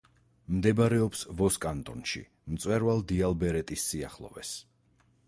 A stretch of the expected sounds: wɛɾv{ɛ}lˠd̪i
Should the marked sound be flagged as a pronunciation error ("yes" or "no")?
yes